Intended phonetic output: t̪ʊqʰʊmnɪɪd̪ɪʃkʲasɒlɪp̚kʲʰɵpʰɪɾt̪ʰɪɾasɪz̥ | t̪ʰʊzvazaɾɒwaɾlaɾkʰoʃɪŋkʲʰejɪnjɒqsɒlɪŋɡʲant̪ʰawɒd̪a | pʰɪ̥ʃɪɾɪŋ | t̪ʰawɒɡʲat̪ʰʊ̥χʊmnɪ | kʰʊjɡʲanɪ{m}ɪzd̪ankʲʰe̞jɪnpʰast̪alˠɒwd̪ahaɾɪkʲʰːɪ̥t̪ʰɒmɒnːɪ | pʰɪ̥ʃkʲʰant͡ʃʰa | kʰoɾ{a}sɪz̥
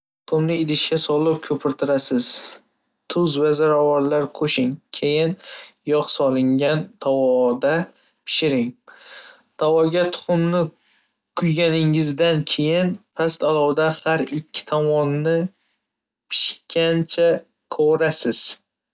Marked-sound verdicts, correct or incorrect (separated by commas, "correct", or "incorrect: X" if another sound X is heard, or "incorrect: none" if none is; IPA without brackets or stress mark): incorrect: ŋ, correct